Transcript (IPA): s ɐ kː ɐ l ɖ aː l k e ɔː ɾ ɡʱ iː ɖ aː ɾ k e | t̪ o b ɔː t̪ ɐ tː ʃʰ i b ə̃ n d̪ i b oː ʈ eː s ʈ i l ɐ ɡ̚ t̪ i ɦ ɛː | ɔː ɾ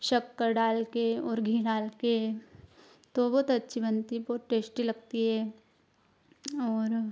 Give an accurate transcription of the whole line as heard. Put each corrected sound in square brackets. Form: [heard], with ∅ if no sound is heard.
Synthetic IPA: [ʃ] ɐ kː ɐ [ɾ] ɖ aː l k e ɔː ɾ ɡʱ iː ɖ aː [l] k e | t̪ o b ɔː t̪ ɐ tː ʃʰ i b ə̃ n [t̪] i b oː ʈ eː s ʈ i l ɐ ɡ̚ t̪ i ɦ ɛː | ɔː ɾ